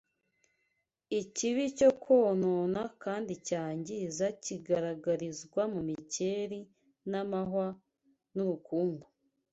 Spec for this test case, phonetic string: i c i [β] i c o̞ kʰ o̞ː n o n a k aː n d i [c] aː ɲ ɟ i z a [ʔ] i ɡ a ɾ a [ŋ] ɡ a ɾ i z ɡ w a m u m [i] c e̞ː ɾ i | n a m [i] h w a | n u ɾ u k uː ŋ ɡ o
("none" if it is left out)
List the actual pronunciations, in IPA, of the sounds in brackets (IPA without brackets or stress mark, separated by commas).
β, c, c, none, i, a